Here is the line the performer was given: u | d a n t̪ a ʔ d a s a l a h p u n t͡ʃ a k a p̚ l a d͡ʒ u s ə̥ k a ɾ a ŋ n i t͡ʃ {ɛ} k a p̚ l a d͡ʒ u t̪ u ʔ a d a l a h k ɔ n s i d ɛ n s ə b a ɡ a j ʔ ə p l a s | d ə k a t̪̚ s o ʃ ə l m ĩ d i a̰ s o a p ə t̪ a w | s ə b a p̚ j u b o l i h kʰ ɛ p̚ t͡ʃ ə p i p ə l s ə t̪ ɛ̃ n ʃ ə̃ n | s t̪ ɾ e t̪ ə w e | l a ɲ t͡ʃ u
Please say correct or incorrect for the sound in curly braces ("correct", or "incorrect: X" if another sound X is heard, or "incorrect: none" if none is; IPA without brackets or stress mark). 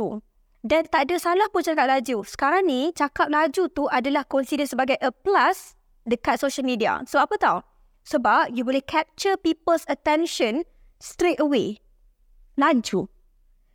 incorrect: a